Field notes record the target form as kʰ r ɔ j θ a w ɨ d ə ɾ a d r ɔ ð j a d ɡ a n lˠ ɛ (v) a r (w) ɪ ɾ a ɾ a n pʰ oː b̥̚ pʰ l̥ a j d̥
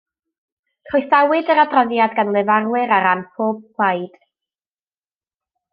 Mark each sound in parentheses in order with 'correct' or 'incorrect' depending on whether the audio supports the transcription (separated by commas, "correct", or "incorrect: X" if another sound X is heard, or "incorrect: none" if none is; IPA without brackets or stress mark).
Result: correct, correct